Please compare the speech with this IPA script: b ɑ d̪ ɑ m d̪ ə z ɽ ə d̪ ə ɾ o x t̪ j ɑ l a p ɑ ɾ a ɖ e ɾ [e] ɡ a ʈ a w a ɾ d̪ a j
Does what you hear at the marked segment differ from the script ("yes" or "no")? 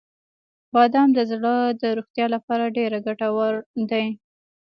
yes